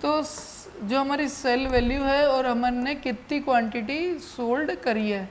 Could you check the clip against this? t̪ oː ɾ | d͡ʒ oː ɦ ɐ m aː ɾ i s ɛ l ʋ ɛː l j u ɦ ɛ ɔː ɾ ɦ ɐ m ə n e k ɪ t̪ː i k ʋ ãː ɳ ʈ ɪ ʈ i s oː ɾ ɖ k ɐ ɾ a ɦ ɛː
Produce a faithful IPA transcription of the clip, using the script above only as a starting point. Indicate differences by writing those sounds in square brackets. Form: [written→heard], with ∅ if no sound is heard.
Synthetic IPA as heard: t̪ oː [ɾ→∅] | d͡ʒ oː ɦ ɐ m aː ɾ i s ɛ l ʋ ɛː l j u ɦ ɛ ɔː ɾ ɦ ɐ m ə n e k ɪ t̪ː i k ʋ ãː ɳ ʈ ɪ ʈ i s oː [ɾ→l] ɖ k ɐ ɾ [a→i] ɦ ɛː